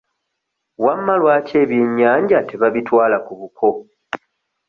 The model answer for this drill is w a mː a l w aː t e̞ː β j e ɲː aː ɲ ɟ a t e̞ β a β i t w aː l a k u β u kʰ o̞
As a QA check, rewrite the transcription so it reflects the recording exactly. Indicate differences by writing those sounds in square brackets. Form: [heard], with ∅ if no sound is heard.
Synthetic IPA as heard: w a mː a l w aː [c] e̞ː β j e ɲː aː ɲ ɟ a t e̞ β a β i t w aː l a k u β u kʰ o̞